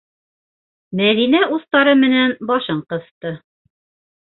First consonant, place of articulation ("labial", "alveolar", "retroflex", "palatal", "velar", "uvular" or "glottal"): labial